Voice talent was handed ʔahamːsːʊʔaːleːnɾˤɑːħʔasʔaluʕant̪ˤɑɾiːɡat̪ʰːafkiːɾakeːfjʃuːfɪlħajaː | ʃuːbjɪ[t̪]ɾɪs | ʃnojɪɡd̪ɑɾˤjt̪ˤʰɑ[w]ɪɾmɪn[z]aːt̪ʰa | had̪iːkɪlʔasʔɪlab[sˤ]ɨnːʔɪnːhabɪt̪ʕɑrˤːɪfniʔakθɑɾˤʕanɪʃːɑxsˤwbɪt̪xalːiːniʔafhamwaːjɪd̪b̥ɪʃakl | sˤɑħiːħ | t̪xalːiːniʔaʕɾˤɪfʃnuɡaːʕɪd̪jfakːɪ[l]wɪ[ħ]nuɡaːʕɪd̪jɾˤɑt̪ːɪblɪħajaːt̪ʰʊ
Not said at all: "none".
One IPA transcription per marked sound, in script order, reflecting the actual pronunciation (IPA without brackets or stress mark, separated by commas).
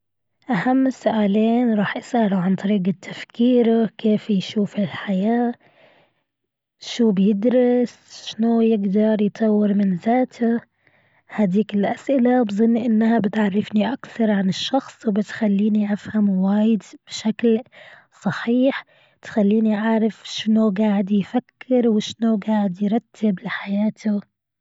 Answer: d̪, wː, z, zˤ, ɾ, ʃ